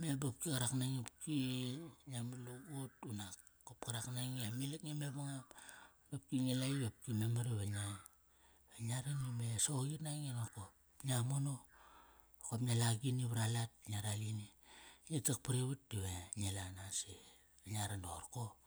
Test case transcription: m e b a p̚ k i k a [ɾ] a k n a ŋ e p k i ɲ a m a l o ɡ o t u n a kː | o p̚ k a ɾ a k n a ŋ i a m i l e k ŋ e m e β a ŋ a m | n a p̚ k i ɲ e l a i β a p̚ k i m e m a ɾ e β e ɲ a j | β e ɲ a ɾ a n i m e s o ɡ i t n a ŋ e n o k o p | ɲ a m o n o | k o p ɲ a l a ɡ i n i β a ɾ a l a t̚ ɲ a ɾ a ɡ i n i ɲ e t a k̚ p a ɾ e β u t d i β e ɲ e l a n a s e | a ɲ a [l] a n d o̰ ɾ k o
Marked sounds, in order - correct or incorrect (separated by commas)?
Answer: correct, incorrect